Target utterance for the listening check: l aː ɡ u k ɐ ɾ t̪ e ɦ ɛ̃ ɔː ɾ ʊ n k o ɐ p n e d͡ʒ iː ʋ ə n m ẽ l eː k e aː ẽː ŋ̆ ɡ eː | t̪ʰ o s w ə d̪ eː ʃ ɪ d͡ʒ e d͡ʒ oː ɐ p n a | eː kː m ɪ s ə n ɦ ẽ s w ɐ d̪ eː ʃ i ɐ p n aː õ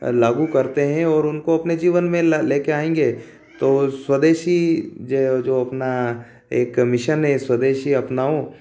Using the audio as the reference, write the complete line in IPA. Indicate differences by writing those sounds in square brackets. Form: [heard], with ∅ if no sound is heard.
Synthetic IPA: l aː ɡ u k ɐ ɾ t̪ e ɦ ɛ̃ ɔː ɾ ʊ n k o ɐ p n e d͡ʒ iː ʋ ə n m ẽ l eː k e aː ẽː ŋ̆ ɡ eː | [t̪] o s w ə d̪ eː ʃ [i] d͡ʒ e d͡ʒ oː ɐ p n a | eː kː m ɪ [ʃ] ə n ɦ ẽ s w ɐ d̪ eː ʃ i ɐ p n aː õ